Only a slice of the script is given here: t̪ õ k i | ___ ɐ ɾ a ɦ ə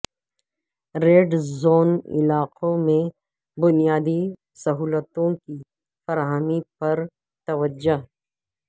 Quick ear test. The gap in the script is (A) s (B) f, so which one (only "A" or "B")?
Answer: B